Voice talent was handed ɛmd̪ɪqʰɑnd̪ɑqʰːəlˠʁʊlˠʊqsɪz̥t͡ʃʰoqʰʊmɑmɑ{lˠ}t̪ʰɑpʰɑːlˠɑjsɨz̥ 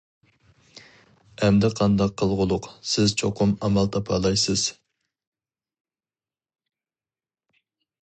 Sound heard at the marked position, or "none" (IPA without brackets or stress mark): lˠ